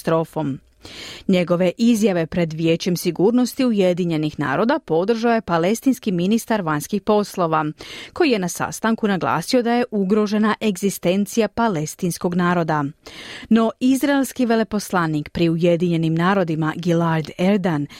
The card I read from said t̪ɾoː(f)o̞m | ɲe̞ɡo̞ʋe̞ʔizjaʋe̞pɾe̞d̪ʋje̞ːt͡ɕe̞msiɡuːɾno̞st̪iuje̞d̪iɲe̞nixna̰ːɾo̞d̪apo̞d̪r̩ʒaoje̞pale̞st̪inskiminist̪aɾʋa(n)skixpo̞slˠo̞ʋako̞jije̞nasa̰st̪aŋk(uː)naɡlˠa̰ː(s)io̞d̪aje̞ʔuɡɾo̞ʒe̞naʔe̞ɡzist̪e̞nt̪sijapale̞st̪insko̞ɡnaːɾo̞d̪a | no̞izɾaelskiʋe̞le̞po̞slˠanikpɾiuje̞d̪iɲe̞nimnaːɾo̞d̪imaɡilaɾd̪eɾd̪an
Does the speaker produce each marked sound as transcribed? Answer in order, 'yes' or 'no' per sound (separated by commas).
yes, no, no, yes